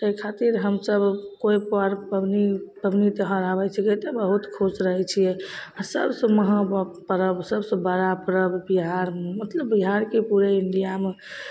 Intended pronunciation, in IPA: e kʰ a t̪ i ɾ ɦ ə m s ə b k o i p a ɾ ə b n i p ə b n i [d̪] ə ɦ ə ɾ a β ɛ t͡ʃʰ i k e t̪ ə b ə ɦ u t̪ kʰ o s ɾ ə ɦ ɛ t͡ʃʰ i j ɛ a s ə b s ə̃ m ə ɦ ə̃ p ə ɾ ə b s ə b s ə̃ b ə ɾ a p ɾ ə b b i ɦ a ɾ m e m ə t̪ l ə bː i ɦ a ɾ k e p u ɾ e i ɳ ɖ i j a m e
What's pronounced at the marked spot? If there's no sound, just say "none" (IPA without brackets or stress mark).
t̪